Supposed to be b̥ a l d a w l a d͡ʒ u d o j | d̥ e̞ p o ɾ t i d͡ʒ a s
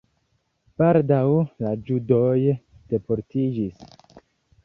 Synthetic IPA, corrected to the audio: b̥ a l d a w l a d͡ʒ u d o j | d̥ e̞ p o ɾ t i d͡ʒ i s